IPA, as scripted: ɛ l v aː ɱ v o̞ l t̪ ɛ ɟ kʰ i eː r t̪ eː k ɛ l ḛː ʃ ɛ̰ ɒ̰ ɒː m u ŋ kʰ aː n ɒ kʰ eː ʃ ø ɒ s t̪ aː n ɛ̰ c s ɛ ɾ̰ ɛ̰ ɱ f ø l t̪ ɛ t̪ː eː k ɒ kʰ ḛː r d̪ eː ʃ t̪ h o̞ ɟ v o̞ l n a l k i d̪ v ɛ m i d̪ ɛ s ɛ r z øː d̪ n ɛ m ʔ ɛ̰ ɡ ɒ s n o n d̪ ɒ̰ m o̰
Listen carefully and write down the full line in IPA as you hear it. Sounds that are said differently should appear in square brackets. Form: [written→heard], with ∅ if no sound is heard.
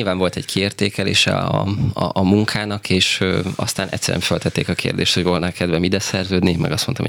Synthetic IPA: [ɛ→i] l v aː ɱ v o̞ l t̪ ɛ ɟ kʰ i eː r t̪ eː k ɛ l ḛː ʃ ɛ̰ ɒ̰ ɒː m u ŋ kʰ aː n ɒ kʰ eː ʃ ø ɒ s t̪ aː n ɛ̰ c s ɛ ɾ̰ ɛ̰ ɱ f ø l t̪ ɛ t̪ː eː k ɒ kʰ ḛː r d̪ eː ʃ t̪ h o̞ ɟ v o̞ l n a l k [i→ɛ] d̪ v ɛ m i d̪ ɛ s ɛ r z øː d̪ n [ɛ→i] m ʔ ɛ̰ ɡ ɒ s [n→m] o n [d̪→t̪] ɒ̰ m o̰